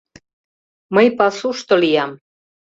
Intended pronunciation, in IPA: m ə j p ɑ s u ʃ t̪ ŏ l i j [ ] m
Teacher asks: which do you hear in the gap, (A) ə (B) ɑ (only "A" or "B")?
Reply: B